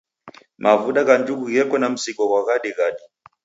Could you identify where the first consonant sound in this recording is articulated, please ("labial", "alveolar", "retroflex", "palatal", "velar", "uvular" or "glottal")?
labial